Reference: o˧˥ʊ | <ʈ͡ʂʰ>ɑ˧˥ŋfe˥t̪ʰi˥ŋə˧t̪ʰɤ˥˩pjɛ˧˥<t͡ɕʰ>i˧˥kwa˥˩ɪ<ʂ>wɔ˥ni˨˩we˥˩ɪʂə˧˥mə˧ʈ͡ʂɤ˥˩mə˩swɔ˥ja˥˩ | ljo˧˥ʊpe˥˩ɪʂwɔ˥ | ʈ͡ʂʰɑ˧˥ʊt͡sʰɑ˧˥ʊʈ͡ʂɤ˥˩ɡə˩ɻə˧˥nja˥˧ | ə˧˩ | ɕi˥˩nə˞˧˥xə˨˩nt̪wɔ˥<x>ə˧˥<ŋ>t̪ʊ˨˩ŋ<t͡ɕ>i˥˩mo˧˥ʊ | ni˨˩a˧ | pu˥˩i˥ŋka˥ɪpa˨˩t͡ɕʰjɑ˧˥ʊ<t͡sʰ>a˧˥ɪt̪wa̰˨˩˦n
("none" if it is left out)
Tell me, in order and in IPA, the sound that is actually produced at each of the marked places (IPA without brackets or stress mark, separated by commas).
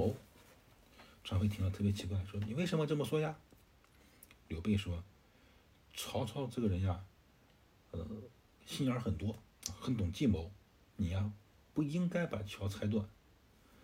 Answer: ʈ͡ʂʰ, t͡ɕʰ, ʂ, x, n, t͡ɕ, t͡sʰ